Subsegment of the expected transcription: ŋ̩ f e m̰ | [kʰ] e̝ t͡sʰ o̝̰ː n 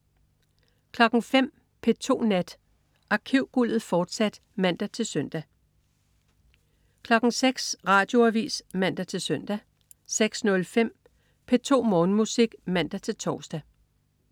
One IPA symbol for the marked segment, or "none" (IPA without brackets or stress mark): pʰ